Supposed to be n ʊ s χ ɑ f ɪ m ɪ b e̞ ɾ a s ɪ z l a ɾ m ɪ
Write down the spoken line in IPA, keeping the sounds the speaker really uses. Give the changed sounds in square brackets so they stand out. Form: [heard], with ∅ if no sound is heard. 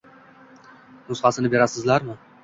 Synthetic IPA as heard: n ʊ s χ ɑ [s] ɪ [n] ɪ b e̞ ɾ a s ɪ z l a ɾ m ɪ